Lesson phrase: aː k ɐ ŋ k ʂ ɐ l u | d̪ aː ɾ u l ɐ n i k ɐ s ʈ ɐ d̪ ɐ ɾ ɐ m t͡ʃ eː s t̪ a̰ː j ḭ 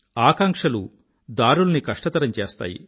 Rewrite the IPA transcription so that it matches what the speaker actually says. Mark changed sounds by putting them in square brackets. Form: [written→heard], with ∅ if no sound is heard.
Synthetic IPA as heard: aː k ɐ ŋ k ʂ ɐ l u | d̪ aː ɾ u l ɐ n i k ɐ [s→ʂ] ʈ ɐ [d̪→t̪] ɐ ɾ ɐ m t͡ʃ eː s t̪ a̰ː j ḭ